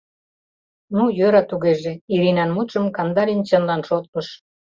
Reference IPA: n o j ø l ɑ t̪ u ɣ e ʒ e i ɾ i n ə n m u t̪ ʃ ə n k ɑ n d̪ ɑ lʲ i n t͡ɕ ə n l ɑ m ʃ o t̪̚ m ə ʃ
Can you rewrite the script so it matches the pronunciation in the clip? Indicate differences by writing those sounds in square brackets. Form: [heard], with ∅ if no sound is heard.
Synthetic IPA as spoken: n [u] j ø [ɾ] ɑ t̪ u ɣ e ʒ e i ɾ i n [ɑ] n m u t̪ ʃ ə [m] k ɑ n d̪ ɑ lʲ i n t͡ɕ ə n l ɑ [n] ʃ o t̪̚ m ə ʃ